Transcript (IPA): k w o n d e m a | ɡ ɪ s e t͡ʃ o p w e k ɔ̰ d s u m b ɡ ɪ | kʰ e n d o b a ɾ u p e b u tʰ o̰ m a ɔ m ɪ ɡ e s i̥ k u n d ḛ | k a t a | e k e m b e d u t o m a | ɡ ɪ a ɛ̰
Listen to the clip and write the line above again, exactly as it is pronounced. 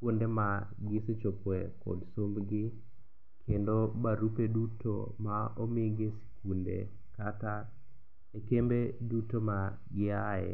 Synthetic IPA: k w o n d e m a | ɡ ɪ s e t͡ʃ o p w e k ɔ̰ d s o m b ɡ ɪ | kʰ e n d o b a ɾ u p e d u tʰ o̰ m a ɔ m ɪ ɡ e s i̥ k u n d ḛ | k a t a | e k e m b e d u t o m a | ɡ ɪ a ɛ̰